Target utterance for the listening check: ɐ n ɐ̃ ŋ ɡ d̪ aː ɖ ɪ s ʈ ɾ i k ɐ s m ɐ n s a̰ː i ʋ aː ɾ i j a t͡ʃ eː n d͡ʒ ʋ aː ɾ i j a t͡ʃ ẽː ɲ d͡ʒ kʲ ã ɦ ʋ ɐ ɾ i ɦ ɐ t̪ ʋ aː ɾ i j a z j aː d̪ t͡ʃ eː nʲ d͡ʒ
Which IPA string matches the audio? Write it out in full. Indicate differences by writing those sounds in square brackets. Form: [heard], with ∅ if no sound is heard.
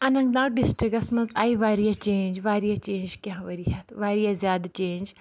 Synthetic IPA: ɐ n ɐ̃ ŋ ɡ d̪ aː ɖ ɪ s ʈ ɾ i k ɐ s m ɐ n [z] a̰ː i ʋ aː ɾ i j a t͡ʃ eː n d͡ʒ ʋ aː ɾ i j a t͡ʃ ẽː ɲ d͡ʒ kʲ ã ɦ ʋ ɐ ɾ i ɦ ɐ t̪ ʋ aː ɾ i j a z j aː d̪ t͡ʃ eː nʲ d͡ʒ